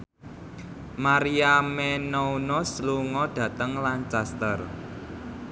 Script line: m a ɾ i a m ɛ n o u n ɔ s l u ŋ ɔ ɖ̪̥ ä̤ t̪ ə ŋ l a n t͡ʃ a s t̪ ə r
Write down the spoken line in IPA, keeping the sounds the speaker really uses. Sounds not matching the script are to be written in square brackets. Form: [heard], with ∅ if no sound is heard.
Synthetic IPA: m a ɾ i a m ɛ n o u n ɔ s l u ŋ ɔ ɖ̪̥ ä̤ t̪ ə ŋ l a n t͡ʃ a s t̪ ə r